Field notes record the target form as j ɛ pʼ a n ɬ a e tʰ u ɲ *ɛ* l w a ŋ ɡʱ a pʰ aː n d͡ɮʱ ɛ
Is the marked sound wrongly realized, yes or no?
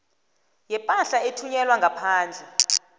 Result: no